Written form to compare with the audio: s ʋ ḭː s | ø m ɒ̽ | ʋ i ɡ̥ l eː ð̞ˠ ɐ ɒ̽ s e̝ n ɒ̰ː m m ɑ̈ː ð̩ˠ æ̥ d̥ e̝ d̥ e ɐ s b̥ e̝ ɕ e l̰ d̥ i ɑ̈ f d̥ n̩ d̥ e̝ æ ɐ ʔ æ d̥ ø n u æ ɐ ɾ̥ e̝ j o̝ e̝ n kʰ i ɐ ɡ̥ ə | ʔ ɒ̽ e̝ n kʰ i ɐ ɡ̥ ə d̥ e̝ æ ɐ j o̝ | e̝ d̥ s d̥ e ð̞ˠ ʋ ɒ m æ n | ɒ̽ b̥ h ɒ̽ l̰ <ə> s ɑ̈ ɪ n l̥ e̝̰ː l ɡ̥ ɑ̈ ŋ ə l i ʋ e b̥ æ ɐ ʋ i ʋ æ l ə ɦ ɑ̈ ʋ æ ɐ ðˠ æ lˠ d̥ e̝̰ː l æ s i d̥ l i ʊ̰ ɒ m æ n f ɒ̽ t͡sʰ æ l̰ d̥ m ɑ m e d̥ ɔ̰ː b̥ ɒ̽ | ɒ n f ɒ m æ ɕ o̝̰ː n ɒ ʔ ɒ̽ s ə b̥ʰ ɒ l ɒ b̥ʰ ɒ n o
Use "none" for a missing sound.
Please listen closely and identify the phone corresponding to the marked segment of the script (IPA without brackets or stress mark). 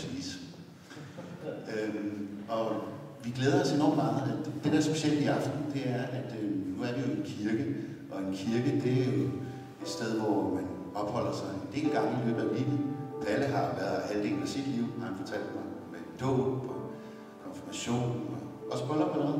ɐ